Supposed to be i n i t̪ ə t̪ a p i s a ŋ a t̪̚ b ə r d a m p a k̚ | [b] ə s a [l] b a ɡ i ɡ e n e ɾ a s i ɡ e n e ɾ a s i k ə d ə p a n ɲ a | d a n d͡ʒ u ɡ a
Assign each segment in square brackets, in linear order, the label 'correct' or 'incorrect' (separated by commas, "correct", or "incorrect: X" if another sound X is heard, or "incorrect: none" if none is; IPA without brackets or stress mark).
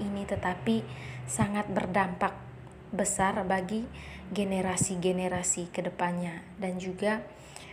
correct, incorrect: r